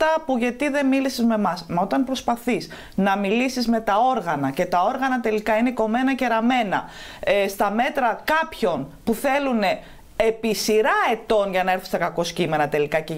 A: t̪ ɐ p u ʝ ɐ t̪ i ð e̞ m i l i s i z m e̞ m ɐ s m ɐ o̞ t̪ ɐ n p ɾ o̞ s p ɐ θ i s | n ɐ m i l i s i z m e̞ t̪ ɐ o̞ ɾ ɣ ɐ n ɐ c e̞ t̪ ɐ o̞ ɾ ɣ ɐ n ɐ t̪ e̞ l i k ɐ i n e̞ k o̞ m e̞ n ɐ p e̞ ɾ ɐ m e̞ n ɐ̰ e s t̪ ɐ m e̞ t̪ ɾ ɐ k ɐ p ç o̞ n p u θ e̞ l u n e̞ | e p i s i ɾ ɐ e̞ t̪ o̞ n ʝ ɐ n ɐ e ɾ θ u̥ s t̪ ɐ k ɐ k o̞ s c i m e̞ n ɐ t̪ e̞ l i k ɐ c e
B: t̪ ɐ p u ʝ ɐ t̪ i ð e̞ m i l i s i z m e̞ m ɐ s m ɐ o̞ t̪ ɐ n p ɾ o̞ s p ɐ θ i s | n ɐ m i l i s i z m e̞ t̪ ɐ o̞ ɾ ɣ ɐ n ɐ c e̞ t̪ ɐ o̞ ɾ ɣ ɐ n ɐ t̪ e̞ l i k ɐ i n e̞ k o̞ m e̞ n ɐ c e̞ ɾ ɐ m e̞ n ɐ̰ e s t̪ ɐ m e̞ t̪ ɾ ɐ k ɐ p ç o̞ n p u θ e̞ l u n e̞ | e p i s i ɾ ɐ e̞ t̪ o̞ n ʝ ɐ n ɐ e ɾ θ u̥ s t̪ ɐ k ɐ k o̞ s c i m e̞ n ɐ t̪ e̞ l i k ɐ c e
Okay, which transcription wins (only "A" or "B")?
B